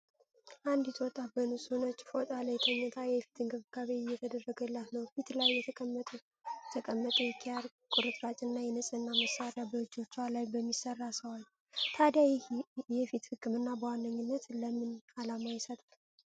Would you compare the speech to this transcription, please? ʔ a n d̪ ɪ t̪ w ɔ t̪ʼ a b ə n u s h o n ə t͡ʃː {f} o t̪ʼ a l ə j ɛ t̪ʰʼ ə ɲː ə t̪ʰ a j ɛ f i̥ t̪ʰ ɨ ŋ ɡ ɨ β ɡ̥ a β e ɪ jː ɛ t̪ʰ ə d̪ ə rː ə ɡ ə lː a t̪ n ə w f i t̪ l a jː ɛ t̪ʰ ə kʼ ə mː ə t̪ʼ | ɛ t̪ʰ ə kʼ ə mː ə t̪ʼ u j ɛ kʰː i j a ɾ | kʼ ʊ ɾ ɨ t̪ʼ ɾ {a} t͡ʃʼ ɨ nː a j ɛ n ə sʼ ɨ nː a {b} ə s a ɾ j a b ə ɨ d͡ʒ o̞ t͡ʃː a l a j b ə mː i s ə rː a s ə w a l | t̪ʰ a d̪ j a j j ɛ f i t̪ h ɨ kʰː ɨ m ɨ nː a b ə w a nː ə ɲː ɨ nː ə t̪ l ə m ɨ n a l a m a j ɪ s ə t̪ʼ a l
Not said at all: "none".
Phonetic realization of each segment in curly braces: f, a, m

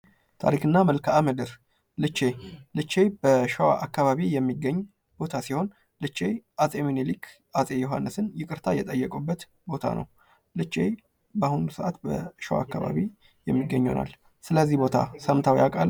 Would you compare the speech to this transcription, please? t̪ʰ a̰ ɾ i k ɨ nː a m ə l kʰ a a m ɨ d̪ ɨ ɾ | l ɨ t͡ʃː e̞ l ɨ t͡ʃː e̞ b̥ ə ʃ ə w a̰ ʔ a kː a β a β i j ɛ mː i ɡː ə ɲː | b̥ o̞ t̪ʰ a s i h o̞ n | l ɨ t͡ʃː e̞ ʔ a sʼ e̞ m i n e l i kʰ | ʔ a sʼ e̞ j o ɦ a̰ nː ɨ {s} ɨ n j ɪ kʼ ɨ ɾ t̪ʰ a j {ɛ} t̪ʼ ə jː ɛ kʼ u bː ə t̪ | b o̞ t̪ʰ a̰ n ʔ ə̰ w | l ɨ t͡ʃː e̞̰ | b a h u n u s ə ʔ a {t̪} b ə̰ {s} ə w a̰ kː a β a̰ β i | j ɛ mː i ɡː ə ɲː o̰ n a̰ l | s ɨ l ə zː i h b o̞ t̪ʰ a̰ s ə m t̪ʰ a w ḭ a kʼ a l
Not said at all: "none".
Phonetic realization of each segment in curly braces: s, ɛ, t̪, ʃ

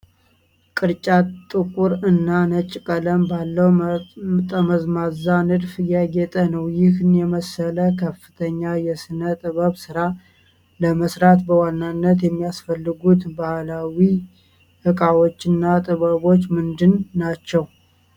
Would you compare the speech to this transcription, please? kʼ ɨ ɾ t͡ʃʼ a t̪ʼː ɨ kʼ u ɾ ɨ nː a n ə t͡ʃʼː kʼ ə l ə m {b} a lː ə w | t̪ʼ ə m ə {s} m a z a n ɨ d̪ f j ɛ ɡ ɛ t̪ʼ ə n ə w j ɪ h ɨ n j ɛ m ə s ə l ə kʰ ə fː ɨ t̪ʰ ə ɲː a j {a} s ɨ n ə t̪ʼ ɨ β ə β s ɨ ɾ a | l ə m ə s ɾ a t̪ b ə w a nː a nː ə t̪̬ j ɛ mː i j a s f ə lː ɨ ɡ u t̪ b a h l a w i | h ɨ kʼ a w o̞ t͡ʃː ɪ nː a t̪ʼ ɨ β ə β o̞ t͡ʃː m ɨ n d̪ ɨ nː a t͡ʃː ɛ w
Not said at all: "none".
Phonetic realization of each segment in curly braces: b, z, ɛ

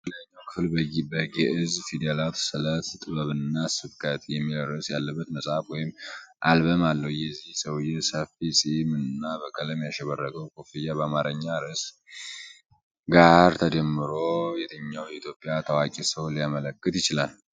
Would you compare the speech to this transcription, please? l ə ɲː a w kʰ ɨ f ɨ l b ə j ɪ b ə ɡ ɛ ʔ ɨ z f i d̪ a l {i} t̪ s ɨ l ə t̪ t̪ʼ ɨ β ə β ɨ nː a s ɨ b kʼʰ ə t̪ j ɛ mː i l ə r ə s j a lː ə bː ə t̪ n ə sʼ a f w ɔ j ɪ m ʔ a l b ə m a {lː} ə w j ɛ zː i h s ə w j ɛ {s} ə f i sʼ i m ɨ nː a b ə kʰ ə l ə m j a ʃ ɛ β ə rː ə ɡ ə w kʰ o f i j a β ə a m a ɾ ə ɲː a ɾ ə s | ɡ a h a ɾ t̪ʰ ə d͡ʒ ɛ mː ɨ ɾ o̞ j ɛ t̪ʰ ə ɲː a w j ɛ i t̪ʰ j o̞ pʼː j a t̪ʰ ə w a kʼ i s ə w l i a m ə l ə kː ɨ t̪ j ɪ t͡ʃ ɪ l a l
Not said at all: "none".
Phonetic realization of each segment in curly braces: a, lː, s

